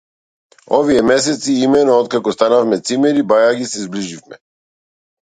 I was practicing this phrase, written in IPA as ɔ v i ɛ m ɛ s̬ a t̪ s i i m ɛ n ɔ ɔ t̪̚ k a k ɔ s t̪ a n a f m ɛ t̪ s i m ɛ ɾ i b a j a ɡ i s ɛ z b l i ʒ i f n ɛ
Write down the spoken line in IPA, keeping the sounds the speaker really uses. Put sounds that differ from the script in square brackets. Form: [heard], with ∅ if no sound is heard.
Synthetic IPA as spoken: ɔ v i ɛ m ɛ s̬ [ɛ] t̪ s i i m ɛ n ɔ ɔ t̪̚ k a k ɔ s t̪ a n a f m ɛ t̪ s i m ɛ ɾ i b a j a ɡ i s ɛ z b l i ʒ i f [m] ɛ